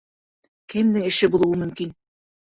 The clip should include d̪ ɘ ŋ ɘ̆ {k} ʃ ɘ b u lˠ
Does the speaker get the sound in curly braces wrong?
yes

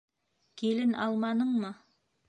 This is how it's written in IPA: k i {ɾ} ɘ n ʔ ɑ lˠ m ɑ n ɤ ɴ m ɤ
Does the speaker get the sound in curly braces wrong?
yes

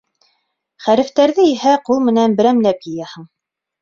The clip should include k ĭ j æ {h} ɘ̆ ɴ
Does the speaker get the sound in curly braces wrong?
no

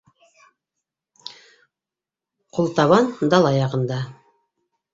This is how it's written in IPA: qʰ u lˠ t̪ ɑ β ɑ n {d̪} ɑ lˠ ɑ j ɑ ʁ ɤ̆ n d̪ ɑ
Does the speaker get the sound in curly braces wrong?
no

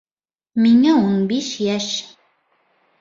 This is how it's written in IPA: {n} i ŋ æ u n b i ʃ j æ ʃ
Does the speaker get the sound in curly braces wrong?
yes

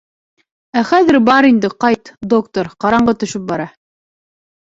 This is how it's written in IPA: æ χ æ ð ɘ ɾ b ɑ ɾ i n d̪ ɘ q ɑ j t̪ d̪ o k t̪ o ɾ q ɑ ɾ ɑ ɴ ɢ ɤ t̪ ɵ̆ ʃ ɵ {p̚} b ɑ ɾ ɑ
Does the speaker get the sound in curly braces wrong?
no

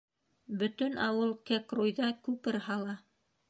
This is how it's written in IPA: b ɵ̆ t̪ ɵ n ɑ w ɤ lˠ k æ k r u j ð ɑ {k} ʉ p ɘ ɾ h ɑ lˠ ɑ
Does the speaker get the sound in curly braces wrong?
no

